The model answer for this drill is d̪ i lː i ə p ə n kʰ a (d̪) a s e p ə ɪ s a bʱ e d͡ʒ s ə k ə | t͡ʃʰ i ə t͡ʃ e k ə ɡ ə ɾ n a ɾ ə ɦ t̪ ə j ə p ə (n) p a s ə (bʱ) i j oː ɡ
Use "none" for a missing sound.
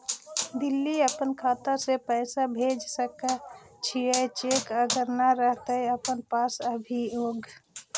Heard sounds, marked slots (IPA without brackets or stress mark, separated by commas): t̪, n, bʱ